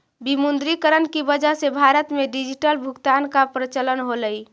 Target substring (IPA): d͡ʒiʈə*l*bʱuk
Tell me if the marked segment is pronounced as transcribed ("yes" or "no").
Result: yes